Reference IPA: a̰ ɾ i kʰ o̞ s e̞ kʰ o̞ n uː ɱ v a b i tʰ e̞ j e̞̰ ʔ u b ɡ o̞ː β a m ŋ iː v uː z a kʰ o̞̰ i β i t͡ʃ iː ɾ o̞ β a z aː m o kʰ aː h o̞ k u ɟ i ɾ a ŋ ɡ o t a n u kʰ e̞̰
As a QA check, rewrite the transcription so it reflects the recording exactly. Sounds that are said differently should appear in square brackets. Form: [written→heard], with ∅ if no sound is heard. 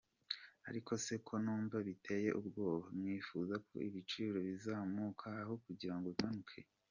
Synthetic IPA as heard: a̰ ɾ i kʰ o̞ s e̞ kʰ o̞ n uː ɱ v a [b→β] i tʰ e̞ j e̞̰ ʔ u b ɡ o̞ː β a m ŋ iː [v→f] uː z a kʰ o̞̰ i β i t͡ʃ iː ɾ o̞ β [a→i] z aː m [o→u] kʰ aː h o̞ k u ɟ i ɾ a ŋ ɡ o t a n u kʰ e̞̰

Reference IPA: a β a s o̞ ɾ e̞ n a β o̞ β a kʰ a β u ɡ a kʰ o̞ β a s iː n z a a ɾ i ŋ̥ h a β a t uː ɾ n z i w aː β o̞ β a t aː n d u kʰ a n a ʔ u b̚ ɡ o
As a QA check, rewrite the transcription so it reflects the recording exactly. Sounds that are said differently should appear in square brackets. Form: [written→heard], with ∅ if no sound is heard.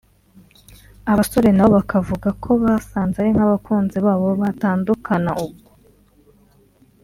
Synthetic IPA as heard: a β a s o̞ ɾ e̞ n a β o̞ β a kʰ a [β→v] u ɡ a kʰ o̞ β a s [iː→aː] n z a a ɾ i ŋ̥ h a β a [t→k] uː [ɾ→∅] n z i [w→β] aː β o̞ β a t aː n d u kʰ a n a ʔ u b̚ ɡ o

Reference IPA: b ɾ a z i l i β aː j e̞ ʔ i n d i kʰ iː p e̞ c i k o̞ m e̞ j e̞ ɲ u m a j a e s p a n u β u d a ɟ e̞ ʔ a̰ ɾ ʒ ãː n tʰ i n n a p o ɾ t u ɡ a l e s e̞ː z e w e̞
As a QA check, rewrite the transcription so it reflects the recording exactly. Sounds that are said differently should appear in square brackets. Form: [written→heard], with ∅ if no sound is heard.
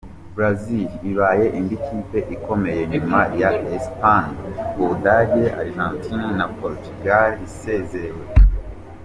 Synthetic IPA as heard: b ɾ a z i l i β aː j e̞ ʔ i n d i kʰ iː p e̞ [c→ʔ] i k o̞ m e̞ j e̞ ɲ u m a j a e s p a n u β u d a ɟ e̞ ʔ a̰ ɾ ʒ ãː n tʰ i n n a p o ɾ t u ɡ a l [e→i] s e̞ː z e w e̞

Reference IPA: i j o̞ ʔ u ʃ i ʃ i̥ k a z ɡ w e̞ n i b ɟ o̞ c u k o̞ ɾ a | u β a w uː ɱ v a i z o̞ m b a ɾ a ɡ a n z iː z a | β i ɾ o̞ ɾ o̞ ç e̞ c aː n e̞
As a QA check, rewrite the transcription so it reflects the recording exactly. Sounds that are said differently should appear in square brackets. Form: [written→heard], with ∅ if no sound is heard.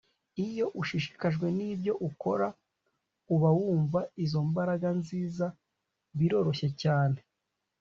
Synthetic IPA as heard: i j o̞ ʔ u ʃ i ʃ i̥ k a [z→ʒ] ɡ w e̞ n i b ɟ o̞ [c→ʔ] u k o̞ ɾ a | u β a w uː ɱ v a i z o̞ m b a ɾ a ɡ a n z iː z a | β i ɾ o̞ ɾ o̞ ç e̞ c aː n e̞

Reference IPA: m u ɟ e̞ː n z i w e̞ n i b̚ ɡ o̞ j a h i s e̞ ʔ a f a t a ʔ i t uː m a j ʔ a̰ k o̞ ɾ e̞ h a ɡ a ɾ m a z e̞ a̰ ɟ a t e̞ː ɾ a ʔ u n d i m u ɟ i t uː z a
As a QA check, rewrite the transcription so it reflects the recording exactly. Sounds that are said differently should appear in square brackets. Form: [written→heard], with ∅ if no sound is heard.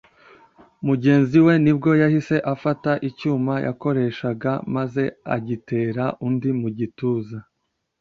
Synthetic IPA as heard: m u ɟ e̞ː n z i w e̞ n i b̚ ɡ o̞ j a h i s e̞ ʔ a f a t a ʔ i [t→c] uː m a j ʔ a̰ k o̞ ɾ e̞ [h→ʃ] a ɡ a [ɾ→∅] m a z e̞ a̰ ɟ [a→i] t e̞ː ɾ a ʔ u n d i m u ɟ i t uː z a

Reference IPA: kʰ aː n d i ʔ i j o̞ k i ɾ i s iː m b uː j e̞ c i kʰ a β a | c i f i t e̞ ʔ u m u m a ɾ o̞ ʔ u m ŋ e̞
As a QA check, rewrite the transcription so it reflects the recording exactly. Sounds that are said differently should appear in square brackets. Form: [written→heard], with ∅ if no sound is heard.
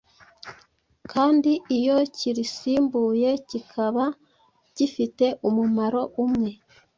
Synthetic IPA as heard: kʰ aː n d i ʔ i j o̞ [k→c] i ɾ i s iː m b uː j e̞ c i kʰ a β a | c i f i t e̞ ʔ u m u m a ɾ o̞ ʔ u m ŋ e̞

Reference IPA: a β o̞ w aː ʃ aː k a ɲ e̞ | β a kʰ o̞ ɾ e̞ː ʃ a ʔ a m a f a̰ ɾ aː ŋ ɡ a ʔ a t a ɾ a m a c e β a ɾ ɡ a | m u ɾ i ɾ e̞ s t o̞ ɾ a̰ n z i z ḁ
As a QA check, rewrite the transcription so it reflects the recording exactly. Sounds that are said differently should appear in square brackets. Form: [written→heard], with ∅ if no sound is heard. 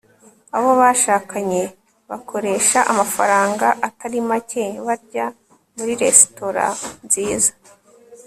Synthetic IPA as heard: a β o̞ [w→β] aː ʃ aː k a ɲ e̞ | β a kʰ o̞ ɾ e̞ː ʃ a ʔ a m a f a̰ ɾ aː ŋ ɡ a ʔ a t a ɾ [a→i] m a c e β a ɾ [ɡ→ɟ] a | m u ɾ i ɾ e̞ s t o̞ ɾ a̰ n z [i→iː] z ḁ

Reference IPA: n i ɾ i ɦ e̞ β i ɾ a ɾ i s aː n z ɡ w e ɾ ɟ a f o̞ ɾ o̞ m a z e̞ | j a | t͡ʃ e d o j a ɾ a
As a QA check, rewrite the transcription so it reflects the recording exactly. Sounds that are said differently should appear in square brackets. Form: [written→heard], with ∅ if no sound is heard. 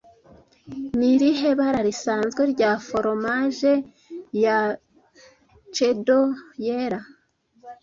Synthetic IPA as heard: n i ɾ i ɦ e̞ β [i→a] ɾ a ɾ i s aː n z ɡ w e ɾ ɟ a f o̞ ɾ o̞ m a [z→ʒ] e̞ | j a | t͡ʃ e d o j [a→e] ɾ a

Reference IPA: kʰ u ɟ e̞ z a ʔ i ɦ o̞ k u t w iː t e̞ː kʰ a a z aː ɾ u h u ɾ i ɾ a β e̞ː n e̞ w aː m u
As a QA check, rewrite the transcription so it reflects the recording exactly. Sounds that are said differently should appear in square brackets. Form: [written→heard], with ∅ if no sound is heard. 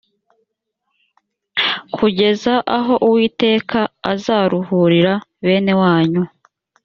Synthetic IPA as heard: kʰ u ɟ e̞ z a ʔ [i→a] ɦ o̞ [k→ʔ] u [t→∅] w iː t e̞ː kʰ a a z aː ɾ u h u ɾ i ɾ a β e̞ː n e̞ w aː [m→ɲ] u

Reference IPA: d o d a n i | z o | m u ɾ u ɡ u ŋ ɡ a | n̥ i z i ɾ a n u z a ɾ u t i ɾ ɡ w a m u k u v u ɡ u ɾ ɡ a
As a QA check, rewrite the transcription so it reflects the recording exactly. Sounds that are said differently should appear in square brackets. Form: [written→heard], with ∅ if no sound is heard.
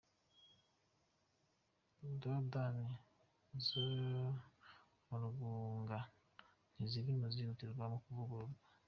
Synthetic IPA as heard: d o d a n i | z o | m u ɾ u ɡ u ŋ ɡ a | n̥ i z i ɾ [a→i] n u z [a→i] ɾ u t i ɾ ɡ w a m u k u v u ɡ u ɾ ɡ a

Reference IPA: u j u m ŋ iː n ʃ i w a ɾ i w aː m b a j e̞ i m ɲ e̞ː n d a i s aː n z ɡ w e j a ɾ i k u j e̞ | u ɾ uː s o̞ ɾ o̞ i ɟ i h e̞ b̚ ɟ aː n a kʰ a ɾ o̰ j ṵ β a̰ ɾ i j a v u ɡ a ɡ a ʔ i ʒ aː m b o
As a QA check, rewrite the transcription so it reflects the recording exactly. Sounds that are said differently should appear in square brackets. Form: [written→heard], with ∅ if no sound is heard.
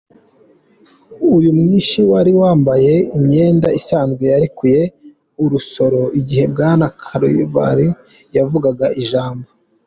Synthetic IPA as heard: u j u m ŋ iː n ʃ i w a ɾ i w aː m b a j e̞ i m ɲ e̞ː n d a i s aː n z ɡ w e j a ɾ i k u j e̞ | u ɾ [uː→u] s o̞ ɾ o̞ i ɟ i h e̞ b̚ [ɟ→ɡ] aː n a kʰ a ɾ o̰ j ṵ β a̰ ɾ i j a v u ɡ a ɡ a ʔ i ʒ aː m b o

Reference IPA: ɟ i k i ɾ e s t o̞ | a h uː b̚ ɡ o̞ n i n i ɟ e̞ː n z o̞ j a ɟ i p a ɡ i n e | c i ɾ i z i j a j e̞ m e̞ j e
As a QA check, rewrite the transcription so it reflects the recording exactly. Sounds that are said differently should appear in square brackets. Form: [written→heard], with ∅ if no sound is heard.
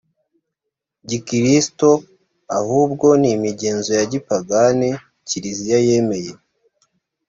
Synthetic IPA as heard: ɟ i k i ɾ [e→i] s t o̞ | a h uː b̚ ɡ o̞ n i [n→m] i ɟ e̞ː n z o̞ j a ɟ i p a ɡ [i→a] n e | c i ɾ i z i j a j e̞ m e̞ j e

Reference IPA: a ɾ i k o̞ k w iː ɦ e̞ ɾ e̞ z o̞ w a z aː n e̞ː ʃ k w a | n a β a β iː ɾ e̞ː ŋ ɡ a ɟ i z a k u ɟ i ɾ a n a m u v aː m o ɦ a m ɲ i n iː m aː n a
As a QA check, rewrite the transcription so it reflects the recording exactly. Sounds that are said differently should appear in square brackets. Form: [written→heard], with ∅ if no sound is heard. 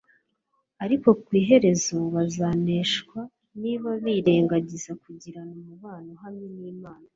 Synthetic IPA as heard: a ɾ i k o̞ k w iː ɦ e̞ ɾ e̞ z o̞ [w→β] a z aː n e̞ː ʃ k w a | n [a→i] β a β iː ɾ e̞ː ŋ ɡ a ɟ i z a k u ɟ i ɾ a n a m u [v→β] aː [m→n] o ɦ a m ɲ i n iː m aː n a

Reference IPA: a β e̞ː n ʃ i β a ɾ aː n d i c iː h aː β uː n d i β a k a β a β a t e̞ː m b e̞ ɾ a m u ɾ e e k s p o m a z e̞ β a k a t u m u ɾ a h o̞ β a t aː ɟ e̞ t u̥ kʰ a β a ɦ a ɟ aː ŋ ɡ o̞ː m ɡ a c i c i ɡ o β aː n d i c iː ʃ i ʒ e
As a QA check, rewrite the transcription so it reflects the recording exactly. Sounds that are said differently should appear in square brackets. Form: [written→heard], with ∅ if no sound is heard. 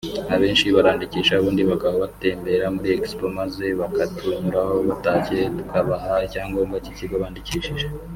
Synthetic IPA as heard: a β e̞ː n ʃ i β a ɾ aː n d i c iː [h→ʃ] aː β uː n d i β a k a β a β a t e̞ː m b e̞ ɾ a m u ɾ [e→i] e k s p o m a z e̞ β a k a t u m u ɾ a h o̞ β a t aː [ɟ→c] e̞ t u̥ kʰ a β a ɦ a [ɟ→c] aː ŋ ɡ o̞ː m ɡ a c i c i ɡ o β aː n d i c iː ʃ i ʒ e

